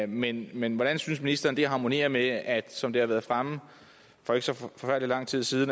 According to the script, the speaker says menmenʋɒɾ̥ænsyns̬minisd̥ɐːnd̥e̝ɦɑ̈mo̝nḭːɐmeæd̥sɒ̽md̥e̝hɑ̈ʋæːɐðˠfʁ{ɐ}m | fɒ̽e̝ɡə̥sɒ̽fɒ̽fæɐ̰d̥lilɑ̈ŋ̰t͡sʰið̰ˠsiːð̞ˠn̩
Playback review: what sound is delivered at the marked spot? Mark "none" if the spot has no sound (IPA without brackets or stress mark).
a